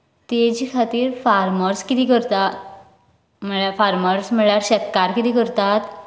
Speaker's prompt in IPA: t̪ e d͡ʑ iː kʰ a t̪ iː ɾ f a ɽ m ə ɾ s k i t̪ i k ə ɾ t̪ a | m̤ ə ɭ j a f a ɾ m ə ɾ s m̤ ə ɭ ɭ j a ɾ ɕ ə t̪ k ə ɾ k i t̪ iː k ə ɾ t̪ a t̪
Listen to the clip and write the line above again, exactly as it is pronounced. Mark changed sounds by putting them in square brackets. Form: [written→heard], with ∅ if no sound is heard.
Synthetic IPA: t̪ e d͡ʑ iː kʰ a t̪ iː ɾ f a [ɽ→ɾ] m ə ɾ s k i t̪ i k ə ɾ t̪ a | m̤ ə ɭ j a f a ɾ m ə ɾ s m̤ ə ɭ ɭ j a ɾ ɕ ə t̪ k [ə→a] ɾ k i t̪ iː k ə ɾ t̪ a t̪